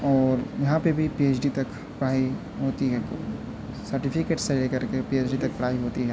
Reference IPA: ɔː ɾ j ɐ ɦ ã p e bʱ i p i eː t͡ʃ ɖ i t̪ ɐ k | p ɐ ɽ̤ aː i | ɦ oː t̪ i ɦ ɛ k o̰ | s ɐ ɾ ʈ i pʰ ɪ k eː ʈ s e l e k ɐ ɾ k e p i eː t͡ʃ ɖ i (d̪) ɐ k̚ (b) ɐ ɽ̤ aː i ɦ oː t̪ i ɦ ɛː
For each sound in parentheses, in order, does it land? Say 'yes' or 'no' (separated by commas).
no, no